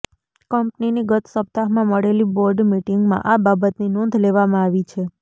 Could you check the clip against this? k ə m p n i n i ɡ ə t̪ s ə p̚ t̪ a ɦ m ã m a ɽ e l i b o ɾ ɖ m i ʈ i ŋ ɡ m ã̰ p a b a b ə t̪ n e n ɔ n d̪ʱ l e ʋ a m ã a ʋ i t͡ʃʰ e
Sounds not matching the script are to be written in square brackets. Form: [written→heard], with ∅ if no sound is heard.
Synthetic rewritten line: k ə m p n i n i ɡ ə t̪ s ə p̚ t̪ a ɦ m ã m [a→ə] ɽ e l i b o ɾ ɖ m i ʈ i ŋ ɡ m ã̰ [p→ʔ] a b a b ə t̪ n [e→i] n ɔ n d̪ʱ l e ʋ a m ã a ʋ i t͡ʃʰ e